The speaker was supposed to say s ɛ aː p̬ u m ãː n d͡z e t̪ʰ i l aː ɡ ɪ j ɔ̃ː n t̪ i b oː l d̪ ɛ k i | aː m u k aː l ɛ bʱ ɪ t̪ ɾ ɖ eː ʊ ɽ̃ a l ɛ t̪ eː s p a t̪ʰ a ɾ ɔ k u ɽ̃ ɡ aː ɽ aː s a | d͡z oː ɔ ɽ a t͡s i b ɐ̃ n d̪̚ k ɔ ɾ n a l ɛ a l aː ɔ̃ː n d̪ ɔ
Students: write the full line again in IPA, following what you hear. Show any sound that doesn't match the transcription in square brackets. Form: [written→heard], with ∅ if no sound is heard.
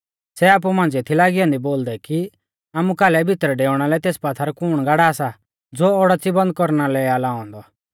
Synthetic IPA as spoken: s ɛ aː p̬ u m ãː n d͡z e t̪ʰ i l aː ɡ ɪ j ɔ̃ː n [t̪→d̪] i b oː l d̪ ɛ k i | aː m u k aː l ɛ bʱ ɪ t̪ ɾ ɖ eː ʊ ɽ̃ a l ɛ t̪ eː s p a t̪ʰ a ɾ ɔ k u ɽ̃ ɡ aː ɽ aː s a | d͡z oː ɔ ɽ a t͡s i b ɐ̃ n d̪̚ k ɔ ɾ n a l ɛ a l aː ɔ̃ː n d̪ ɔ